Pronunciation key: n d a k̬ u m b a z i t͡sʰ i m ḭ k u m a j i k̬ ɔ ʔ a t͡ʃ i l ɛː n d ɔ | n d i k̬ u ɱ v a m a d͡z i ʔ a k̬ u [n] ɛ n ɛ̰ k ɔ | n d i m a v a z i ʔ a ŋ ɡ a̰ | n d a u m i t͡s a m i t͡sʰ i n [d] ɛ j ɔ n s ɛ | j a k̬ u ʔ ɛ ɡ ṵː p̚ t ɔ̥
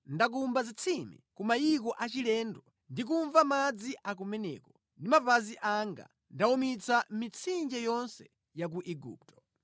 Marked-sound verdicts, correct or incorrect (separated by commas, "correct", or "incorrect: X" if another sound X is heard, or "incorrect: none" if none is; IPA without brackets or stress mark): incorrect: m, incorrect: d͡ʒ